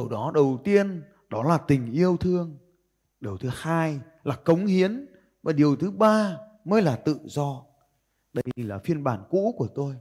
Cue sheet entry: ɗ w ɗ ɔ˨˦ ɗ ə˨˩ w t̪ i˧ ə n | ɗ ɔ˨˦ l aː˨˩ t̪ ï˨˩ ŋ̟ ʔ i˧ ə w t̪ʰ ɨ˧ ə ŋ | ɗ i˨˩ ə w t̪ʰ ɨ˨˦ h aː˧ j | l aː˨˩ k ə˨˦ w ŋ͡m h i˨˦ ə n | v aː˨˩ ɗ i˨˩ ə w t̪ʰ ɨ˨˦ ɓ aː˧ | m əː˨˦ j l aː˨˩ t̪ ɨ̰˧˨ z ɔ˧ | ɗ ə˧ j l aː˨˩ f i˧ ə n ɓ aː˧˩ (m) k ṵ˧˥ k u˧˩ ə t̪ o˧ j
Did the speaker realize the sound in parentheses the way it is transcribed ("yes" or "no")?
no